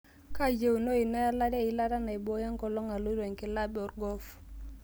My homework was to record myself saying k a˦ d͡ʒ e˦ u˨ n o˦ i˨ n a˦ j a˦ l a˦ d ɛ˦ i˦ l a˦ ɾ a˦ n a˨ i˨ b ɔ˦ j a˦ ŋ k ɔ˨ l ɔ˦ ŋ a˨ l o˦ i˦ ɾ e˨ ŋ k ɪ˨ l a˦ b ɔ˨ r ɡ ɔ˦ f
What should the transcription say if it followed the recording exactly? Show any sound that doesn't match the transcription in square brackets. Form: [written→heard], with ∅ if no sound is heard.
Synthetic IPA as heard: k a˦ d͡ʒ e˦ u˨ n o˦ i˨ n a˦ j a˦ l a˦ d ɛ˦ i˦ l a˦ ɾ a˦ n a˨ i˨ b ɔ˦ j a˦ ŋ k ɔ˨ l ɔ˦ ŋ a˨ l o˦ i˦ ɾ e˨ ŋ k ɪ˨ l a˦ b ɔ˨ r ɡ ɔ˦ f